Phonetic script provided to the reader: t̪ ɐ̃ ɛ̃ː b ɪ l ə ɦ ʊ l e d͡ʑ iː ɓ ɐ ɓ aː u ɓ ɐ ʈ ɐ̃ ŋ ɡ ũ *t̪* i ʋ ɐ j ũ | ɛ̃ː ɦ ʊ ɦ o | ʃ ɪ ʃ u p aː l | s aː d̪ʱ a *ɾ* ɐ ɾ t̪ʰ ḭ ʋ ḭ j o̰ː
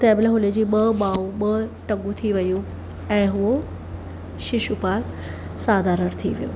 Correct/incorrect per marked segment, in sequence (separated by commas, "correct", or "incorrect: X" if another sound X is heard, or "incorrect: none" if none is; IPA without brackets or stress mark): incorrect: t̪ʰ, correct